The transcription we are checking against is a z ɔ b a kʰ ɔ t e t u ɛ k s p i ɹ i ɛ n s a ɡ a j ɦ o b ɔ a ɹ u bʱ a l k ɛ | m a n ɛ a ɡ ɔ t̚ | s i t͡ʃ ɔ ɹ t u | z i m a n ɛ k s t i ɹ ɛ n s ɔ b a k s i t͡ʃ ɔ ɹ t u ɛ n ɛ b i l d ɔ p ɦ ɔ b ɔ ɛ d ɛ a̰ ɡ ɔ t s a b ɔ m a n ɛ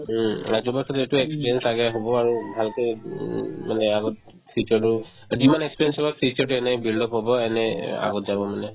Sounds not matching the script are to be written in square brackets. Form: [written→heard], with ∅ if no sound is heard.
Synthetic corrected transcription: a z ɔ b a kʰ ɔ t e t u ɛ k s p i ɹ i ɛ n s a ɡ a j ɦ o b ɔ a ɹ u bʱ a l k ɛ | m a n ɛ a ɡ ɔ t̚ | s i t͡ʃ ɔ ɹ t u | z i m a n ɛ k s [t→p] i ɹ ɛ n s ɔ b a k s i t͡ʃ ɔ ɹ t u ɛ n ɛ b i l d ɔ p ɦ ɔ b ɔ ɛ [d→n] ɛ a̰ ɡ ɔ t [s→z] a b ɔ m a n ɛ